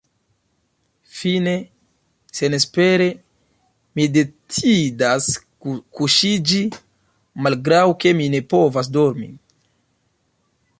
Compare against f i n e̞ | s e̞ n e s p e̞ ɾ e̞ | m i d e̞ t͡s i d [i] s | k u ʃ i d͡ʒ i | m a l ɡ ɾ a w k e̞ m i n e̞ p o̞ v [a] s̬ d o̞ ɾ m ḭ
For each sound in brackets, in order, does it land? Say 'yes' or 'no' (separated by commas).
no, yes